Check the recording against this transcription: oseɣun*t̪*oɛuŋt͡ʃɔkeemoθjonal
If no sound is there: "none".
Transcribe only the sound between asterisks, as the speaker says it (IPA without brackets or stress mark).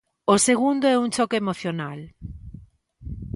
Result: d̪